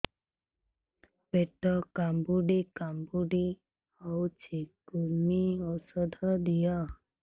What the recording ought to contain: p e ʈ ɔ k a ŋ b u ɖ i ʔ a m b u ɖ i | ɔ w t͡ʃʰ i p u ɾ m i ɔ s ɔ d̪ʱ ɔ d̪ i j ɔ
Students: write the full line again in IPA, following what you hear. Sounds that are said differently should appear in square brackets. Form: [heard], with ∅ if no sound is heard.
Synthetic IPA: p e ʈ ɔ k a [m] b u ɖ i [k] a m b u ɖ i | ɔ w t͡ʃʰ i [k] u ɾ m i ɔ s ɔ d̪ʱ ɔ d̪ i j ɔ